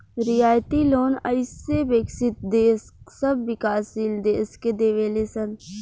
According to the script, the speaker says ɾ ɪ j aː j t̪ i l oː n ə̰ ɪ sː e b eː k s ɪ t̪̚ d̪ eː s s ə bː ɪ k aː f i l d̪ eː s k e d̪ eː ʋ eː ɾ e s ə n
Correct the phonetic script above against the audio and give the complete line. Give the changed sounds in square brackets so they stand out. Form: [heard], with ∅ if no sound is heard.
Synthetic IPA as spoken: ɾ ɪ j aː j t̪ i l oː n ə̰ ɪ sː e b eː k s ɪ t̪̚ d̪ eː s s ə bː ɪ k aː [s] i l d̪ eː s k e d̪ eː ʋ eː [l] e s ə n